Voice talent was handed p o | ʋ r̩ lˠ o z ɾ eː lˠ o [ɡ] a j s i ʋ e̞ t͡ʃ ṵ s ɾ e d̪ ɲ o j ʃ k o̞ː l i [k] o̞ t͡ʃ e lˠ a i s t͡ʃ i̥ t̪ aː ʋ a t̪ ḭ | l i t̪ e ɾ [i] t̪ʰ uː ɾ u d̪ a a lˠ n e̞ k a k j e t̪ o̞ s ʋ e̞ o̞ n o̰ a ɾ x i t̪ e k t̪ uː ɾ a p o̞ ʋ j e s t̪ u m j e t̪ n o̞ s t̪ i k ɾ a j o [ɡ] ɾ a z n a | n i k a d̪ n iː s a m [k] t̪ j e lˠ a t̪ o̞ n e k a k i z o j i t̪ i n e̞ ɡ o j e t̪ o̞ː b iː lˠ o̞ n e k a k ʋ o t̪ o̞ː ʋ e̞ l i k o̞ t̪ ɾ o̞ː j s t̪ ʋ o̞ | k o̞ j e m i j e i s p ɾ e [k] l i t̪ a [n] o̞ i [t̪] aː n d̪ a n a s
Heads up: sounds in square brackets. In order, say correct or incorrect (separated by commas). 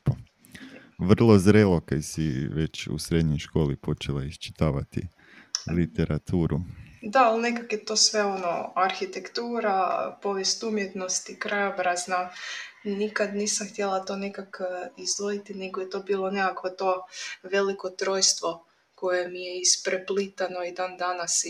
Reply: incorrect, incorrect, incorrect, incorrect, incorrect, incorrect, correct, incorrect